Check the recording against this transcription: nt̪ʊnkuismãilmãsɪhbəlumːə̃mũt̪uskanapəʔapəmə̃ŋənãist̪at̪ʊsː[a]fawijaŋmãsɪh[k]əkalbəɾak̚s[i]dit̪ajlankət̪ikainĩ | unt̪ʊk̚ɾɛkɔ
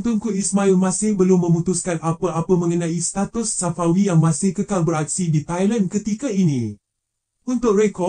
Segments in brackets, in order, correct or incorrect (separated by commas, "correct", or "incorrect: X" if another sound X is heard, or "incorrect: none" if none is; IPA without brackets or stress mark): correct, correct, correct